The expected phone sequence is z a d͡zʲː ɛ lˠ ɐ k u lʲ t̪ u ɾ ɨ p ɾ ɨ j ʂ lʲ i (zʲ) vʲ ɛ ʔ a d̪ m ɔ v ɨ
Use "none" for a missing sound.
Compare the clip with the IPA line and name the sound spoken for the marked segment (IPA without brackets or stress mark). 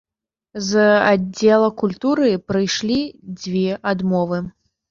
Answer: d͡zʲ